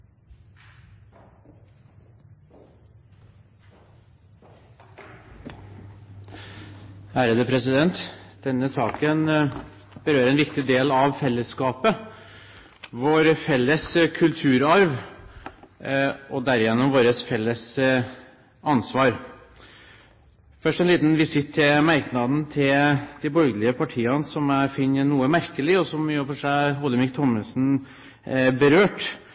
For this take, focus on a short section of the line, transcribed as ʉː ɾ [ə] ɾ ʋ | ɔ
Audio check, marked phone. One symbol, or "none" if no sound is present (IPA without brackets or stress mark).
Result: ɑ